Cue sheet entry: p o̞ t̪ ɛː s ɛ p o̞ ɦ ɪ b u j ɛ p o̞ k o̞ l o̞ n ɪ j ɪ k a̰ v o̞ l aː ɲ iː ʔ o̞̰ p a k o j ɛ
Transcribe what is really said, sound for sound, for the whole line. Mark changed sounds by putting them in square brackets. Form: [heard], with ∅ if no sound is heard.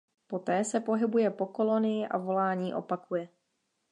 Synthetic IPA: p o̞ t̪ ɛː s ɛ p o̞ ɦ ɪ b u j ɛ p o̞ k o̞ l o̞ n ɪ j ɪ [ʔ] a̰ v o̞ l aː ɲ iː ʔ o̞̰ p a k [u] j ɛ